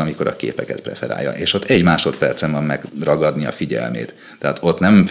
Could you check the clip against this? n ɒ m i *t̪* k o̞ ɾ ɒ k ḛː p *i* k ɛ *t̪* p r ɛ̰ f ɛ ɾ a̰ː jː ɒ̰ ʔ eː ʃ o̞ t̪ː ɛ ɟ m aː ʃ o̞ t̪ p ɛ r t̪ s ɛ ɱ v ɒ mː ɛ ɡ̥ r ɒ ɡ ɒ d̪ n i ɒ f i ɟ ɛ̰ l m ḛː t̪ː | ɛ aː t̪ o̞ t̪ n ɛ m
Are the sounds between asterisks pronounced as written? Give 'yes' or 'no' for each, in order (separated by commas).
no, no, yes